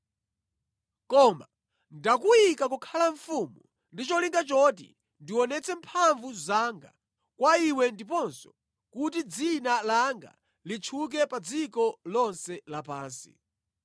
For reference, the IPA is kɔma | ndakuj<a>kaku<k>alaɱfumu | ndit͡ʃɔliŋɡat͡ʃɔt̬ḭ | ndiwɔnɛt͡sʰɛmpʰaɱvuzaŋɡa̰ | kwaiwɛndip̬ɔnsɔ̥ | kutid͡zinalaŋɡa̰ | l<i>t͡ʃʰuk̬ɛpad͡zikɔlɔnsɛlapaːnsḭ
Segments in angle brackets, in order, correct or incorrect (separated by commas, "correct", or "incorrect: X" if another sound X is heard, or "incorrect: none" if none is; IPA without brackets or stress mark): incorrect: i, incorrect: kʰ, correct